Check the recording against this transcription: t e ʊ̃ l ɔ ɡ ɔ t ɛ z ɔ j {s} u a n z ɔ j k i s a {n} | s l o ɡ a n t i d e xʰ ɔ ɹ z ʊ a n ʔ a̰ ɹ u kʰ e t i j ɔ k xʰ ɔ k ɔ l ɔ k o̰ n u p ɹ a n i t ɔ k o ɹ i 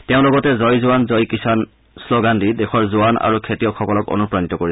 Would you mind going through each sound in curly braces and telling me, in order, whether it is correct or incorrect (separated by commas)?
incorrect, correct